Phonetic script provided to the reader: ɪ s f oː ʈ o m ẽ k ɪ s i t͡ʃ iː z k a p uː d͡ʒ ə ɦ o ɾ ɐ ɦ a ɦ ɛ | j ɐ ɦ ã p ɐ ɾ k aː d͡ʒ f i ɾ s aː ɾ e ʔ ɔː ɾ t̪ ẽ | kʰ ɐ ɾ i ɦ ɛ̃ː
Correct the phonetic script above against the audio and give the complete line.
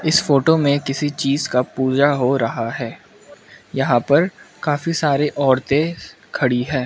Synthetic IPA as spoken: ɪ s f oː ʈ o m ẽ k ɪ s i t͡ʃ iː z k a p uː d͡ʒ a ɦ o ɾ ɐ ɦ a ɦ ɛː | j ɐ ɦ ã p ɐ ɾ k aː f i s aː ɾ e ʔ ɔː ɾ t̪ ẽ | kʰ ɐ ɽ i ɦ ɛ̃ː